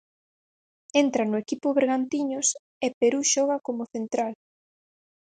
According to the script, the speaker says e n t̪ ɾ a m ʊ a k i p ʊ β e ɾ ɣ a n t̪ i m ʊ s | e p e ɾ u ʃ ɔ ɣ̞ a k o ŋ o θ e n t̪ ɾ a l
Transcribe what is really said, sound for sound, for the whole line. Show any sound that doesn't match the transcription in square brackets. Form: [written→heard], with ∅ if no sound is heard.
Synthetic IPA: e n t̪ ɾ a [m→n] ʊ [a→e] k i p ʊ β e ɾ ɣ a n t̪ i [m→ɲ] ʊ s | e p e ɾ u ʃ ɔ ɣ̞ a k o [ŋ→m] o θ e n t̪ ɾ a l